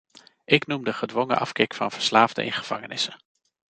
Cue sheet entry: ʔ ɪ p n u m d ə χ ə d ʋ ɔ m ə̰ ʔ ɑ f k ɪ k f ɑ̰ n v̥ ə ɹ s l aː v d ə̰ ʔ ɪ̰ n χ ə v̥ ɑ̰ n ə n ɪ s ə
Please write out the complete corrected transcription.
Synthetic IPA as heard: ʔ ɪ k n u m d ə χ ə d ʋ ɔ ŋ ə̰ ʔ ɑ f k ɪ k f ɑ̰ n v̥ ə ɹ s l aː v d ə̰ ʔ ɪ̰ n χ ə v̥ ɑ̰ ŋ ə n ɪ s ə